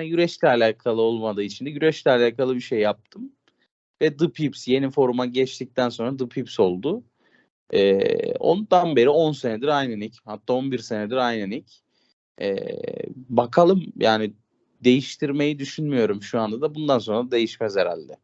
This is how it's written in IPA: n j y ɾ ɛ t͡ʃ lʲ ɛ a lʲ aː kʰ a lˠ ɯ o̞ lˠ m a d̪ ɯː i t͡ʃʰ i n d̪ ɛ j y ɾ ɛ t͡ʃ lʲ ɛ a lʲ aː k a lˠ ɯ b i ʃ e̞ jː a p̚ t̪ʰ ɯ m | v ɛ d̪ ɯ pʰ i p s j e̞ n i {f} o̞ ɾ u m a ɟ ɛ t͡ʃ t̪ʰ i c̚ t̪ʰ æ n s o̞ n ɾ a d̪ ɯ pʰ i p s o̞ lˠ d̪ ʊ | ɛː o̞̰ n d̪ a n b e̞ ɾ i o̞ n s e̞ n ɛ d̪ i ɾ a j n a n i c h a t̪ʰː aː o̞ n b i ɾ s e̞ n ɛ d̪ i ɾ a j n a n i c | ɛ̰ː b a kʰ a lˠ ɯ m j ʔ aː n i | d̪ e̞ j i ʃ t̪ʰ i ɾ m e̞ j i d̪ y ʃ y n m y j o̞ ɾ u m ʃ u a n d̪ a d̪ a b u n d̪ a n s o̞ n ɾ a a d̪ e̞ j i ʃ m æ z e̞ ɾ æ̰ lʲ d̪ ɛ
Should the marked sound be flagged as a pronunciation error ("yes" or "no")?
no